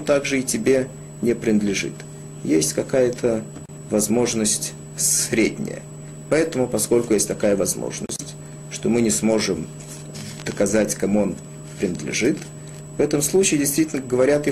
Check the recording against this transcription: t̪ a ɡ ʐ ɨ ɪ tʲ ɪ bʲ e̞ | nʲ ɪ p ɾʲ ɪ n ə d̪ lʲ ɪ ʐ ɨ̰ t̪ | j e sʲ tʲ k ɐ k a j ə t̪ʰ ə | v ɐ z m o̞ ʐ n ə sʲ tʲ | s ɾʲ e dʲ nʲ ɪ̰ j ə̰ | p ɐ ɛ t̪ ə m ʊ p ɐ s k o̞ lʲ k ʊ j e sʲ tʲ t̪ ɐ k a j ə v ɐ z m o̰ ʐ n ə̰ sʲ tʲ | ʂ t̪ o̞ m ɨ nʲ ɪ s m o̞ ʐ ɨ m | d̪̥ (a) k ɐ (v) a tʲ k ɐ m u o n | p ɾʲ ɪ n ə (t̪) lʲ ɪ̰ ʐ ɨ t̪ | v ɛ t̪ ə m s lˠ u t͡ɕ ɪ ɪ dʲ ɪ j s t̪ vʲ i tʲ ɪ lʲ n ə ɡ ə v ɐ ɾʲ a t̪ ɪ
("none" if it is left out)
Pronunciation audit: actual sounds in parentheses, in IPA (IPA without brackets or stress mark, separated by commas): ə, z, d̪